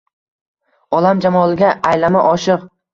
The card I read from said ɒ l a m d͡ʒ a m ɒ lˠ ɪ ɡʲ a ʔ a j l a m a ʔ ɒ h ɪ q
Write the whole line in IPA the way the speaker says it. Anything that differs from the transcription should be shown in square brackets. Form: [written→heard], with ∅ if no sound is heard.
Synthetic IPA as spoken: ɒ l a m d͡ʒ a m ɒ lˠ ɪ ɡʲ a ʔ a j l a m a ʔ ɒ [h→ʃ] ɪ q